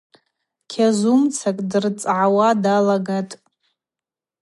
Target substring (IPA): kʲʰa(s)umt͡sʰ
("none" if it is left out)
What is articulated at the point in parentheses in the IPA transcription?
z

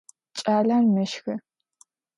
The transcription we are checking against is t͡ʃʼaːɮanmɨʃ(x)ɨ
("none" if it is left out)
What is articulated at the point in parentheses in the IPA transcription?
x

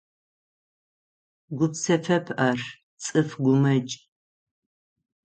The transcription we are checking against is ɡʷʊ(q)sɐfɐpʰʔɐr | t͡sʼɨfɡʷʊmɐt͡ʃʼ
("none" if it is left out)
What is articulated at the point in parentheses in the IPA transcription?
p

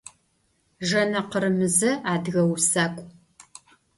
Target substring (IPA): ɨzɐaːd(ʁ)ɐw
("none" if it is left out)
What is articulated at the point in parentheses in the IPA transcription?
ɣ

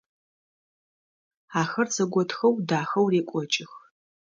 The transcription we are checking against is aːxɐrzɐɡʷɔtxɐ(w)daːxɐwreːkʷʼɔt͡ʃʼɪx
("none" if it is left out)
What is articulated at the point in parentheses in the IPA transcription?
w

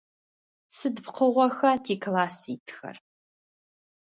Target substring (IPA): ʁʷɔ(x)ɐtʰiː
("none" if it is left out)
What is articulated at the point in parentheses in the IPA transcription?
x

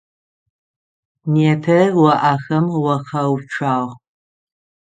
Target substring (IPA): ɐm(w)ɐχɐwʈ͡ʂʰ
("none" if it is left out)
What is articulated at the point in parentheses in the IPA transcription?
w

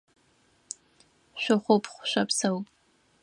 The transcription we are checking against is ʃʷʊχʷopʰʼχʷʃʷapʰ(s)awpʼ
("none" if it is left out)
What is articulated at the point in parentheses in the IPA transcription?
s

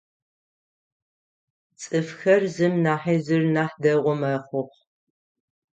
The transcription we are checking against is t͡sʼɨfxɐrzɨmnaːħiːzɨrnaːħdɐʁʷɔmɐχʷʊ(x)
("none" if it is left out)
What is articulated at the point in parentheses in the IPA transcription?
χ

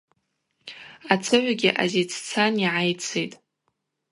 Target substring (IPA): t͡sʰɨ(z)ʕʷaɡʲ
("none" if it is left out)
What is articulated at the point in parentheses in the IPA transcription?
none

